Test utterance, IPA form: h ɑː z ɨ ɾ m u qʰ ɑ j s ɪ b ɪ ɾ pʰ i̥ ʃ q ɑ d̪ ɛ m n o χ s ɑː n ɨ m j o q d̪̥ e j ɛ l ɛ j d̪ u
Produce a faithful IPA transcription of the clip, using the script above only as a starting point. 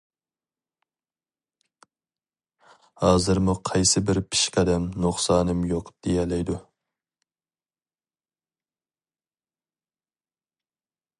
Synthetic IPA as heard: h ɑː z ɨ ɾ m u qʰ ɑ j s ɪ b ɪ ɾ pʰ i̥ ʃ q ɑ d̪ ɛ m n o χ s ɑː n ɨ m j o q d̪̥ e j ɛ l ɛ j d̪ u